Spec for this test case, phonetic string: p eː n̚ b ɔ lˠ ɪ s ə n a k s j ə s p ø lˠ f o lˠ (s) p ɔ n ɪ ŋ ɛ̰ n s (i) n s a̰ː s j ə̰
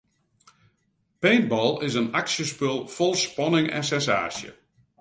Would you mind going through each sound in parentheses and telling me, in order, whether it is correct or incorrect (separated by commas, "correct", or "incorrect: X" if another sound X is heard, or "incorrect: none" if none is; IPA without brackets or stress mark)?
correct, incorrect: ɛ